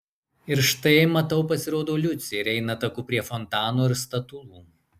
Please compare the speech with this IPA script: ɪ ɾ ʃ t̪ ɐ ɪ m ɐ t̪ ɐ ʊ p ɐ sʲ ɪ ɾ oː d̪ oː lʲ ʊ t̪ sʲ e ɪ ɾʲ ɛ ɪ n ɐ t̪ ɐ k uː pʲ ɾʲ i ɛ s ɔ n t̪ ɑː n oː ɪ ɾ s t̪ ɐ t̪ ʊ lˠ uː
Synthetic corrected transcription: ɪ ɾ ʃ t̪ ɐ ɪ m ɐ t̪ ɐ ʊ p ɐ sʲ ɪ ɾ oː d̪ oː lʲ ʊ t̪ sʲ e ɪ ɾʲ ɛ ɪ n ɐ t̪ ɐ k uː pʲ ɾʲ i ɛ f ɔ n t̪ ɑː n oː ɪ ɾ s t̪ ɐ t̪ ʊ lˠ uː